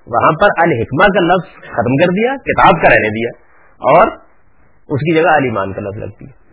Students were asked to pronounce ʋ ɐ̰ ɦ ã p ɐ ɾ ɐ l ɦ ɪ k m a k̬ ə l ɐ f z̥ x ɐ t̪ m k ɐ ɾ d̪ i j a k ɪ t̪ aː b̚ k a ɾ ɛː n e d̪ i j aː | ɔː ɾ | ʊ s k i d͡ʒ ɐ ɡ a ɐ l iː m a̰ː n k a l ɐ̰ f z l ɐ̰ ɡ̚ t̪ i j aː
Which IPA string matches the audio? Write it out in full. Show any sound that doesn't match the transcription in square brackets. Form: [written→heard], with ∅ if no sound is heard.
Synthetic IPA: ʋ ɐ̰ ɦ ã p ɐ ɾ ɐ l ɦ ɪ k m a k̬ [ə→a] l ɐ f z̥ x ɐ t̪ m k ɐ ɾ d̪ i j a k ɪ t̪ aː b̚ k a ɾ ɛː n e d̪ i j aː | ɔː ɾ | ʊ s k i d͡ʒ ɐ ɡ a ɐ l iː m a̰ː n k a l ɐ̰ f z l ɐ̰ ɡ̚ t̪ i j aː